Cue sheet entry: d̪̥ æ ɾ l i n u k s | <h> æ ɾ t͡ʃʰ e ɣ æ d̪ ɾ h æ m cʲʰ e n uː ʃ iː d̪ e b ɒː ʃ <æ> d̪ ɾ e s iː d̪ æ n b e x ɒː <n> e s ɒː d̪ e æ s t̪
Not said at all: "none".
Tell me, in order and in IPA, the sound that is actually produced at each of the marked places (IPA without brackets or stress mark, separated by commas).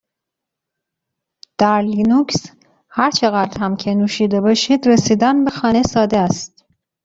h, i, n